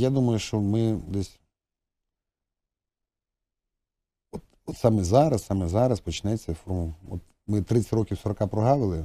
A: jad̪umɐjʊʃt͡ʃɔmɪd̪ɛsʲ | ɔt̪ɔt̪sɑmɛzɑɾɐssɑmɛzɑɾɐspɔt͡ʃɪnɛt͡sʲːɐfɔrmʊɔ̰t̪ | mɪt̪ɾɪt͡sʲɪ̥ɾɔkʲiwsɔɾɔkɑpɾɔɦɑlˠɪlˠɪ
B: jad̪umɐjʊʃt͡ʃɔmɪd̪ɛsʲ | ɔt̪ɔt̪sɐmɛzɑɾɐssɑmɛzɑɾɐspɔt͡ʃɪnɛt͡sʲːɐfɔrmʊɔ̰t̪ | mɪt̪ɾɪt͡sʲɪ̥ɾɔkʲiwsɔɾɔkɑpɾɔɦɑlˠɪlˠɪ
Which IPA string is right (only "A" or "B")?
A